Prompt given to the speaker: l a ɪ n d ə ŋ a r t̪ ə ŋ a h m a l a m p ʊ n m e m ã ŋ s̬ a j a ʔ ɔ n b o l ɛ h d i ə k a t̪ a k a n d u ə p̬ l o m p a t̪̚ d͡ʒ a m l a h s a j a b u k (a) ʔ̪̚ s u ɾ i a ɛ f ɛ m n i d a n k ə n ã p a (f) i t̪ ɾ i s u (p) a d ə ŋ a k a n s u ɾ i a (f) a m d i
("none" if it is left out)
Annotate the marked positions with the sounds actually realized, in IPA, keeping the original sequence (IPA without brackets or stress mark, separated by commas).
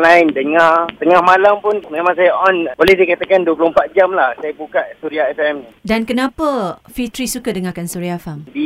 a, f, k, f